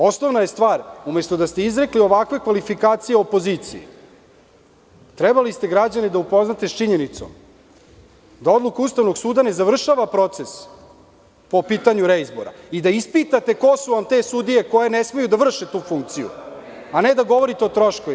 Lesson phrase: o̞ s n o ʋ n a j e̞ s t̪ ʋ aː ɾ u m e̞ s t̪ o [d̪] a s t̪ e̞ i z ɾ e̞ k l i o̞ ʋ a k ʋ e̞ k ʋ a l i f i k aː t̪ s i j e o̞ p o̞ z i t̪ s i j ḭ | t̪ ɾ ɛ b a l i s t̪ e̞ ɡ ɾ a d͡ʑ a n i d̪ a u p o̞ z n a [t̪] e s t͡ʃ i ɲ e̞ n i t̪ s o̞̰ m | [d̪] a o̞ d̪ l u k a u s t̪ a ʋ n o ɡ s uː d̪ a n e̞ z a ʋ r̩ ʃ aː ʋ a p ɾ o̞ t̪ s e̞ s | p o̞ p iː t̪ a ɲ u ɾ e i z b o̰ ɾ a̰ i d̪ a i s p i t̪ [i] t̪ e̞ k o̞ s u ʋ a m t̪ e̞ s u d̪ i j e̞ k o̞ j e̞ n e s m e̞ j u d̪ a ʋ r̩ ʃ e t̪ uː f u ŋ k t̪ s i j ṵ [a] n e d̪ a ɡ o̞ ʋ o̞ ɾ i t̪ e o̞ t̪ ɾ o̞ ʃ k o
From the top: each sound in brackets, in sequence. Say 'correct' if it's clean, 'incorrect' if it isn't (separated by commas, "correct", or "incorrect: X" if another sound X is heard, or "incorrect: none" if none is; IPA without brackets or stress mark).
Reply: correct, correct, correct, incorrect: a, correct